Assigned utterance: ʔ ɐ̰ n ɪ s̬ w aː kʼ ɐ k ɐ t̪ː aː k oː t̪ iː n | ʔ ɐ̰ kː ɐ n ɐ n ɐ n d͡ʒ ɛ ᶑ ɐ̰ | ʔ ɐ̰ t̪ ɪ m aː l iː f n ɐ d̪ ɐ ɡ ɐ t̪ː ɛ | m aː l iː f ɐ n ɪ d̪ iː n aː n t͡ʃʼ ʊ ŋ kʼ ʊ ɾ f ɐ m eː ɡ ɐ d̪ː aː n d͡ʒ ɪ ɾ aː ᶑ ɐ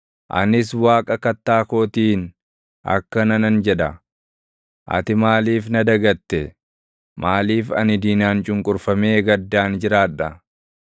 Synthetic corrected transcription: ʔ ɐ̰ n ɪ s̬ w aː kʼ ɐ k ɐ t̪ː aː k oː t̪ iː n | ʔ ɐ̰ kː ɐ n ɐ n ɐ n d͡ʒ ɛ ᶑ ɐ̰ | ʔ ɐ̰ t̪ ɪ m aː l iː f n ɐ d̪ ɐ ɡ ɐ t̪ː ɛ | m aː l iː f ɐ n ɪ d̪ iː n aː n t͡ʃʼ ʊ ŋ kʼ ʊ ɾ f ɐ m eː ɡ ɐ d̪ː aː n d͡ʒ ɪ ɾ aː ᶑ ɐ